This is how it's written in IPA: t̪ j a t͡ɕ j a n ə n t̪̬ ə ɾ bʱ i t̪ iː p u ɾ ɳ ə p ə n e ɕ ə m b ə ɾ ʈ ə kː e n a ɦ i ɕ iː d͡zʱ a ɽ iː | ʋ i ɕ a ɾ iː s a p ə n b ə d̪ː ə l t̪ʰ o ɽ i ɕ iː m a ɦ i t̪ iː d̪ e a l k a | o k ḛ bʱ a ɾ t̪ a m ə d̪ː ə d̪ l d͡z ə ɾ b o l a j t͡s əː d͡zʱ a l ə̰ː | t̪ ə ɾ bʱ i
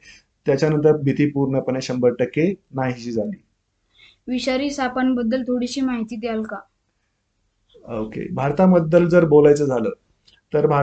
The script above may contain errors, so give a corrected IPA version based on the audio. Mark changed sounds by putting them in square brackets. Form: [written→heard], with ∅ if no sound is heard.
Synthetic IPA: t̪ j a t͡ɕ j a n ə n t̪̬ ə ɾ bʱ i t̪ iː p u ɾ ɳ ə p ə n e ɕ ə m b ə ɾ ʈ ə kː e n a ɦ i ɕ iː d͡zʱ a [ɽ→l] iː | ʋ i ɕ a ɾ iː s a p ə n b ə d̪ː ə l t̪ʰ o ɽ i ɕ iː m a ɦ i t̪ iː d̪ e a l k a | o k ḛ bʱ a ɾ t̪ a m ə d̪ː ə [d̪→∅] l d͡z ə ɾ b o l a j t͡s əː d͡zʱ a l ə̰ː | t̪ ə ɾ bʱ [i→a]